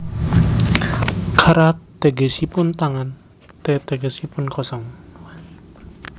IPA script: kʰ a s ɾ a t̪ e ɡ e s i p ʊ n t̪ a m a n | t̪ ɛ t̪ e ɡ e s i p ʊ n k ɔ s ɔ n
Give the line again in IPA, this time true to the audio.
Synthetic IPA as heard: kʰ a ɾ a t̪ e ɡ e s i p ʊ n t̪ a ŋ a n | t̪ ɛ t̪ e ɡ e s i p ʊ n k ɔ s ɔ ŋ